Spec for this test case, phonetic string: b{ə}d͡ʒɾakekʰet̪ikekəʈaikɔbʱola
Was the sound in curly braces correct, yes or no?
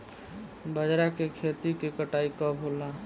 yes